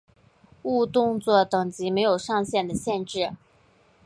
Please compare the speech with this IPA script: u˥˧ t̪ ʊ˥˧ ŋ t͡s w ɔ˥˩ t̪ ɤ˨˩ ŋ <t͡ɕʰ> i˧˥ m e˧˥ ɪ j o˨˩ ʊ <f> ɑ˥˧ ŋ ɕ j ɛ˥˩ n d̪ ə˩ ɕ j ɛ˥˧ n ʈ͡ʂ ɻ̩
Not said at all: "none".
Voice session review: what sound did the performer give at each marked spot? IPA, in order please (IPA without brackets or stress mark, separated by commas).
t͡ɕ, ʂ